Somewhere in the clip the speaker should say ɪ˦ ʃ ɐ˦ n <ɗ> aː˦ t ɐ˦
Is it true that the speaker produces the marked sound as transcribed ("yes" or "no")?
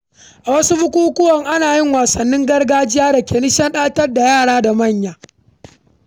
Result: yes